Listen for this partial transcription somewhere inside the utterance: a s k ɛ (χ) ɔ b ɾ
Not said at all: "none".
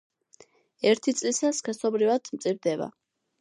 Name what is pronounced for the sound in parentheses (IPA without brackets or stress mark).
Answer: s